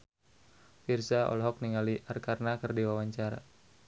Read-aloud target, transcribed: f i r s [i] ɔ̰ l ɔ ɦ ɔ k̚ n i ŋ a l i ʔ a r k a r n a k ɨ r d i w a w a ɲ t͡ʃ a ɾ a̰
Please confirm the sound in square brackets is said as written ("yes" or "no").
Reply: no